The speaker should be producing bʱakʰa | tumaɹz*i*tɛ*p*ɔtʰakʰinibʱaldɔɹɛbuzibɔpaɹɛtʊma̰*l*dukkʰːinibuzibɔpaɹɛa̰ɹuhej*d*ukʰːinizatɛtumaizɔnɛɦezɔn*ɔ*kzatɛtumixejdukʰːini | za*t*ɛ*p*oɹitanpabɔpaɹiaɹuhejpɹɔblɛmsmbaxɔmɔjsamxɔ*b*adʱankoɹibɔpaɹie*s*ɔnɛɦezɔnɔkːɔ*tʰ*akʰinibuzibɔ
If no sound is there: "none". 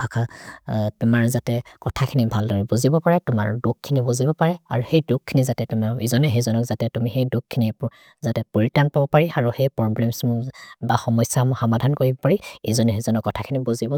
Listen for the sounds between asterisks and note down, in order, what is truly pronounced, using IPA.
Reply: a, k, ɹ, d, ɔ, t, p, m, z, tʰ

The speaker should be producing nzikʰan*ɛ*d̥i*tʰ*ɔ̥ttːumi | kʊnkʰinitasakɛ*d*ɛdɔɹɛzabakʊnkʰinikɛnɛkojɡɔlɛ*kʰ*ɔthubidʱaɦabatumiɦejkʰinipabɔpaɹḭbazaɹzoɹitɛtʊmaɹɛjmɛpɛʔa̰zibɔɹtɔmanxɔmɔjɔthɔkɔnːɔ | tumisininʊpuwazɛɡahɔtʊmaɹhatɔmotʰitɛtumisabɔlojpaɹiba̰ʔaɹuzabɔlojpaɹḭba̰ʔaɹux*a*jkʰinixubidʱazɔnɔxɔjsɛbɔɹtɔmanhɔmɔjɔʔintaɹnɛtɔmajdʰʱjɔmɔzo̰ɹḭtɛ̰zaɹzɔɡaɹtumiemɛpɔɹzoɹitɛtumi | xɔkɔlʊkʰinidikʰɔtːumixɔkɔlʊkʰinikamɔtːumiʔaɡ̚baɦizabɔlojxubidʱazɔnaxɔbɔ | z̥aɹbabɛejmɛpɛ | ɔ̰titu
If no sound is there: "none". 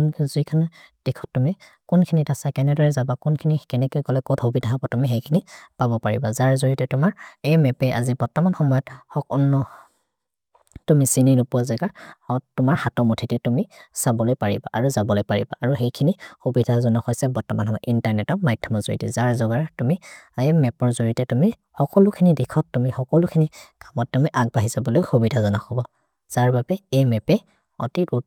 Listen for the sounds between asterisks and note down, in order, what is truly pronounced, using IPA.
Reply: a, kʰ, n, k, e

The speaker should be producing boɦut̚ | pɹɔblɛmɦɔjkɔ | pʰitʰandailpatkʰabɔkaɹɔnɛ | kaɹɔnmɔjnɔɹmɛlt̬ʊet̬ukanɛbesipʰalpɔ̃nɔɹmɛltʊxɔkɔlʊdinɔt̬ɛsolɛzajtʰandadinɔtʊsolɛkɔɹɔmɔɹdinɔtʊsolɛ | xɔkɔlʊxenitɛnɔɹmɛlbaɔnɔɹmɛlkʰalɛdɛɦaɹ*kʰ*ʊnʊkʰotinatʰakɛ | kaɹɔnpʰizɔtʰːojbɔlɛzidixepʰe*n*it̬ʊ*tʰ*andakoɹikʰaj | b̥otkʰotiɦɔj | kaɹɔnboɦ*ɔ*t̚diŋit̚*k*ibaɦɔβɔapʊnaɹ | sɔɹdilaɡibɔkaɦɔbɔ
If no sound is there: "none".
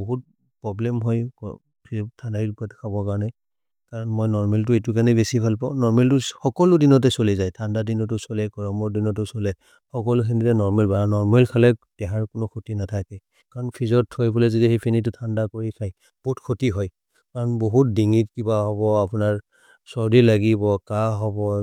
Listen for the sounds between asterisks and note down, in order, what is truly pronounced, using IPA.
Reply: k, n, tʰ, u, k

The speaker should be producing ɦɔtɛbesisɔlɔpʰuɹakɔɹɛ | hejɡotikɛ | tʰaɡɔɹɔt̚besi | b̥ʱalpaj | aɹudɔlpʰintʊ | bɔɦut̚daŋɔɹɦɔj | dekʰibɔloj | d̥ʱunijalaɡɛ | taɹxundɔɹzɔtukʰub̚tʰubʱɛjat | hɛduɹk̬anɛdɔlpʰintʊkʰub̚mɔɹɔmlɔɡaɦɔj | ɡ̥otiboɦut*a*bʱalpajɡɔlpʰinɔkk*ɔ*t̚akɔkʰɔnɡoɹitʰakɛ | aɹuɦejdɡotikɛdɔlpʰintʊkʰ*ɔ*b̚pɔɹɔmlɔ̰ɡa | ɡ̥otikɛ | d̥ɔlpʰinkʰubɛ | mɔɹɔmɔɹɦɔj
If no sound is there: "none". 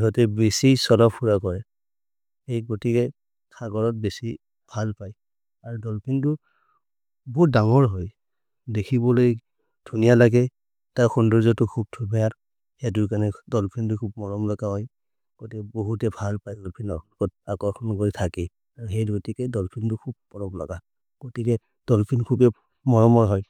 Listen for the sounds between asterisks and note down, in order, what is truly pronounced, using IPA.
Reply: ɛ, ɔ, u

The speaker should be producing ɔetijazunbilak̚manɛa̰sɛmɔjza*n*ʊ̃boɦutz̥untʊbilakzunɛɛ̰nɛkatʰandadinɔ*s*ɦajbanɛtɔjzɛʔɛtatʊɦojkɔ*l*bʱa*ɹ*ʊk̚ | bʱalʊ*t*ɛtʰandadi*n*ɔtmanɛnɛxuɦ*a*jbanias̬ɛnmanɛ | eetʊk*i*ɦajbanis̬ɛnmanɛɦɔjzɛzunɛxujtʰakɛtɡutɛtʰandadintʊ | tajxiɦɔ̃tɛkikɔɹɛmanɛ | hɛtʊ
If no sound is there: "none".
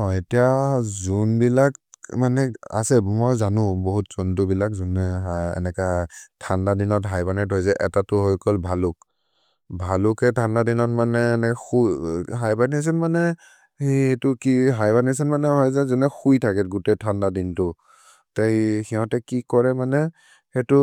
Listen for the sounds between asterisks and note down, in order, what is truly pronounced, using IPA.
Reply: n, t, l, l, k, n, a, i

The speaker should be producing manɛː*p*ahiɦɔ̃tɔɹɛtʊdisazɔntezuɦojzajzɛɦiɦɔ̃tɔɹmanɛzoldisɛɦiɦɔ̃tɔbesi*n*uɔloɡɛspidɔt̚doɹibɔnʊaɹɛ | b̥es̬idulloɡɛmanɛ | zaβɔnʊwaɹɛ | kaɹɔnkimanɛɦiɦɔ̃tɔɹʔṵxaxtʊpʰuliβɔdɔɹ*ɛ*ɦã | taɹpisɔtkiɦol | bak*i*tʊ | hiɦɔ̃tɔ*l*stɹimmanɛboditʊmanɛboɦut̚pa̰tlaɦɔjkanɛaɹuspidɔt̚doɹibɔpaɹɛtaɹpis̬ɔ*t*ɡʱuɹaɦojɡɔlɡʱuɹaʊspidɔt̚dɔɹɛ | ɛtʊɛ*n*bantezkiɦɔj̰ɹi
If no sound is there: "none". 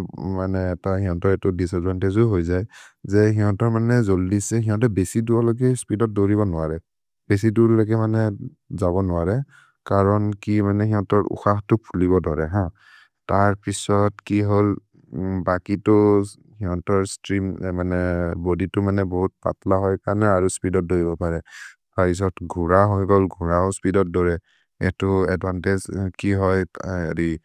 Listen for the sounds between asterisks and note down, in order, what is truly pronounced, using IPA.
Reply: t, d, ɛ, i, ɹ, t, d

